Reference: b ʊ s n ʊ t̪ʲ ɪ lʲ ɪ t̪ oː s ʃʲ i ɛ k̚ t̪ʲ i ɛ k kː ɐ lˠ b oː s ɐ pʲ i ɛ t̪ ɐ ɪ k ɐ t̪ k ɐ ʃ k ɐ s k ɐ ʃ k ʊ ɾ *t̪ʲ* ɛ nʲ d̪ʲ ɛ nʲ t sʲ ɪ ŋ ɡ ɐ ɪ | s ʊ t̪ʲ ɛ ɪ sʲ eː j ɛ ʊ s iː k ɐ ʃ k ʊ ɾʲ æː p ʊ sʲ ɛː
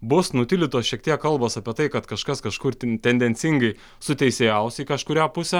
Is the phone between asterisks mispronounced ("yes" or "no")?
no